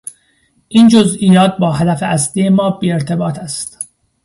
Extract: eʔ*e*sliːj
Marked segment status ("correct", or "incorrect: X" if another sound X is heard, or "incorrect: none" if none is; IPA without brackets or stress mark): incorrect: æ